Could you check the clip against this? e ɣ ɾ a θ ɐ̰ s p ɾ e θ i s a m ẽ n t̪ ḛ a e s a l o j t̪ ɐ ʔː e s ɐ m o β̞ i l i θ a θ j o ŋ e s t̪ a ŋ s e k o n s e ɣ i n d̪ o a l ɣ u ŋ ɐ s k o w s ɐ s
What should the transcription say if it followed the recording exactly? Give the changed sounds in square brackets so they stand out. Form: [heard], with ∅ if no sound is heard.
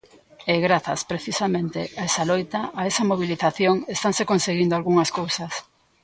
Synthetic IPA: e ɣ ɾ a θ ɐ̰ s p ɾ e θ i s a m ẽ n t̪ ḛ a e s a l o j t̪ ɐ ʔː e s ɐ m o β̞ i l i θ a θ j o ŋ e s t̪ a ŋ s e k o n s e ɣ i n d̪ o a l ɣ u ŋ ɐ s k o w s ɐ s